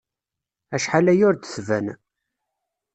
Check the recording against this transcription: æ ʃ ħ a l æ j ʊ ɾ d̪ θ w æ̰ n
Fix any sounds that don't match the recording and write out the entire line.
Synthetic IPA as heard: æ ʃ ħ a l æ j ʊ ɾ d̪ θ v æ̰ n